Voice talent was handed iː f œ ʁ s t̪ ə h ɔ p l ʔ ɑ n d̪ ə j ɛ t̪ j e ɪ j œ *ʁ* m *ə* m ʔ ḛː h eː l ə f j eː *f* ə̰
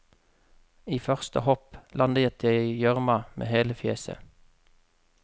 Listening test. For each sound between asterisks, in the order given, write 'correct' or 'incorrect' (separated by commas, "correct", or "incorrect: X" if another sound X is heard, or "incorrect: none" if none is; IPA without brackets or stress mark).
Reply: correct, incorrect: ɑ, incorrect: s